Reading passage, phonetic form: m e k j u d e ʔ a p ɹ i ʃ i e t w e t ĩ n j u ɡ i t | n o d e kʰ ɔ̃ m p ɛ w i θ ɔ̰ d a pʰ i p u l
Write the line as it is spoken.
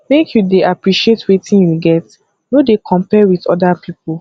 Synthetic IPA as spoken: m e k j u d e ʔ a p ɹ i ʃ i e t w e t ĩ n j u ɡ ɛ t | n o d e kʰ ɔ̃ m p ɛ w i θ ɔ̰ d a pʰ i p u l